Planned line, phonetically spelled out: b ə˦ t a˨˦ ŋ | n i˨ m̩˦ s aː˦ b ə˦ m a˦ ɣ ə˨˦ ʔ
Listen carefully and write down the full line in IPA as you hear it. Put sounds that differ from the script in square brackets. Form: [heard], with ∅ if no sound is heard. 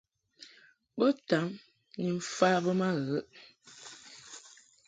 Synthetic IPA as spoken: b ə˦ t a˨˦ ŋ | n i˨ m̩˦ [f] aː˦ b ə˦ m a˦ ɣ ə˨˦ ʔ

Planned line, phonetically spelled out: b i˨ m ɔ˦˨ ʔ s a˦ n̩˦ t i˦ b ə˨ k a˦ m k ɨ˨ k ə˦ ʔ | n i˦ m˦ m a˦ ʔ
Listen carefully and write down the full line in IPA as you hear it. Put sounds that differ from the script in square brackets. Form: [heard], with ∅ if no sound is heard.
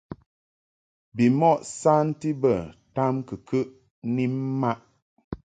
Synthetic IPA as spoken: b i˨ m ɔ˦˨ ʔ s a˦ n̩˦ t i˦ b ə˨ [t] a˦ m k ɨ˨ k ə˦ ʔ | n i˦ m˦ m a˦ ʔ

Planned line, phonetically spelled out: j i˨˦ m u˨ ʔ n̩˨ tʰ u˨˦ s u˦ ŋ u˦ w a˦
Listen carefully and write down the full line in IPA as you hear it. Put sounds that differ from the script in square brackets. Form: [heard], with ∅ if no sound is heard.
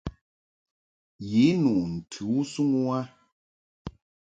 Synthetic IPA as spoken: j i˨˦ [n] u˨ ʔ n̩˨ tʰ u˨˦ s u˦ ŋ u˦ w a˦

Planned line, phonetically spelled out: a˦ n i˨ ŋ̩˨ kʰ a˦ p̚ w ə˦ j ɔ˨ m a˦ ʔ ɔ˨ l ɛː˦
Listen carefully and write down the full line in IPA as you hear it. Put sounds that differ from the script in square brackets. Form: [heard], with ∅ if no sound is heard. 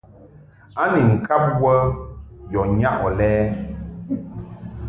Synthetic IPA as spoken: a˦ n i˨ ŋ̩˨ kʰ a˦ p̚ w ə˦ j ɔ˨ [ɲ] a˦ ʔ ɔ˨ l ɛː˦

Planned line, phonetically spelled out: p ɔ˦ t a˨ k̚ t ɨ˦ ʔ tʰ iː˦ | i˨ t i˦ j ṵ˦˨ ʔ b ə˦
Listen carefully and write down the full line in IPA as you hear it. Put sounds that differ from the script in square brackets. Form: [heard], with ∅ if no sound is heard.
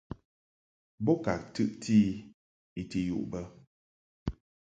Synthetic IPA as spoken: [b] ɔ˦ [k] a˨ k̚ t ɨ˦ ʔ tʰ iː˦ | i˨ t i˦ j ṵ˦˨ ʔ b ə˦

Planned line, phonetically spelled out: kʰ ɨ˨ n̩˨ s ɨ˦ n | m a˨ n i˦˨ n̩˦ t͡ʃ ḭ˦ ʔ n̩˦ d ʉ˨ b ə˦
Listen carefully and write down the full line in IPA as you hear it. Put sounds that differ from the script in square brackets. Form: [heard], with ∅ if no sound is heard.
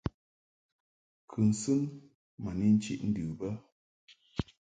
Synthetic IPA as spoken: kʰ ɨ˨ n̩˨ s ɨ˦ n | m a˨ n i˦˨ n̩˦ t͡ʃ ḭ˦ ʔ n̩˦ d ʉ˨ b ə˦

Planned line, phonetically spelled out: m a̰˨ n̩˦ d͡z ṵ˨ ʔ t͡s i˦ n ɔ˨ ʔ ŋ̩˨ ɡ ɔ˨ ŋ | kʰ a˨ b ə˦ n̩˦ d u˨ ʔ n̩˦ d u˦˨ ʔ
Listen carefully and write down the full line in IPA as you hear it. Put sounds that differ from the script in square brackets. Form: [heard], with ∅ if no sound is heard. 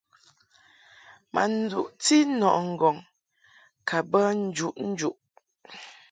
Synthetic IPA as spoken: m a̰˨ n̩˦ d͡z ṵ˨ ʔ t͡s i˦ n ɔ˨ ʔ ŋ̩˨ ɡ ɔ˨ ŋ | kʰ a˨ b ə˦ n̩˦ [d͡ʒ] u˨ ʔ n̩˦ [d͡ʒ] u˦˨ ʔ

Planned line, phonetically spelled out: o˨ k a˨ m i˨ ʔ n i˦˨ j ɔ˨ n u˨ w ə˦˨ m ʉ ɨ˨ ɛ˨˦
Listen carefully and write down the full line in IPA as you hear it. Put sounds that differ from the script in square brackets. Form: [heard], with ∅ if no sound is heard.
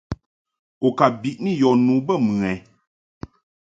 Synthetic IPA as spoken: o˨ k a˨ [b] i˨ ʔ n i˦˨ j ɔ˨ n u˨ [b] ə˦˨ m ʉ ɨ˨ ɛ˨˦

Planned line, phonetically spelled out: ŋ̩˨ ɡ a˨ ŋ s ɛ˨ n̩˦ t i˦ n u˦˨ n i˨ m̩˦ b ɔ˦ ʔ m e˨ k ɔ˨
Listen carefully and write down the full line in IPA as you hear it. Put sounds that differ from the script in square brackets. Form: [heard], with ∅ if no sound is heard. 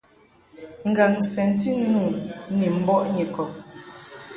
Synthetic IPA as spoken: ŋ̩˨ ɡ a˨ ŋ s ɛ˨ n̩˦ t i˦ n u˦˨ n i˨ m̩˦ b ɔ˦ ʔ [ɲ] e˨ k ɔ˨

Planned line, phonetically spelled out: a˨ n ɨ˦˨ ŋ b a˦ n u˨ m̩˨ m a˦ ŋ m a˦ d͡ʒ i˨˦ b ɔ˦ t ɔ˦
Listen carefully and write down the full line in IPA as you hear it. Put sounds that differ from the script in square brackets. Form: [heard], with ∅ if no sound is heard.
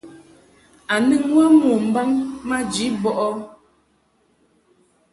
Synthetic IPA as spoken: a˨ n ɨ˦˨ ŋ [w] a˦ [m] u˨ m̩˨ [b] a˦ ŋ m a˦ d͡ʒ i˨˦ b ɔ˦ [ʔ] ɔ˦

